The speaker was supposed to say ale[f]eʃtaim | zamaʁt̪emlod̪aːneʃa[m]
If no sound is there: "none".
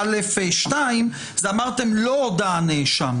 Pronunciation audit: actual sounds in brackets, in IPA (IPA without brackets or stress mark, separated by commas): f, m